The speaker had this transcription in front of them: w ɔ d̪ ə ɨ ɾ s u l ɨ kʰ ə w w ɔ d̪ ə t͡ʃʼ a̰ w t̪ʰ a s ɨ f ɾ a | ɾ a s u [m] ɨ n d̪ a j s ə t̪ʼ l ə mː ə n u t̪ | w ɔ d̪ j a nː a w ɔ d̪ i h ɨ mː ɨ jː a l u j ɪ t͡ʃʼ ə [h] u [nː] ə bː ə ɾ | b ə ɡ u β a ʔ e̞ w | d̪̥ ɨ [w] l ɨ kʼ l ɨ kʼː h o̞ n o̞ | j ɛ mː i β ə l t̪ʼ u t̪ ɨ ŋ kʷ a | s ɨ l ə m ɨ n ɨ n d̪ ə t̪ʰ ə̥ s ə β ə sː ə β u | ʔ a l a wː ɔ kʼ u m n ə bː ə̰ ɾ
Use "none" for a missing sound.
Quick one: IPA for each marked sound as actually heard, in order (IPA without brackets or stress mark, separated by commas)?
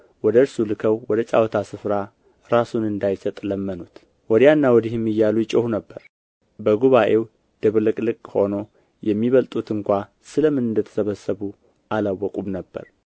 n, h, n, β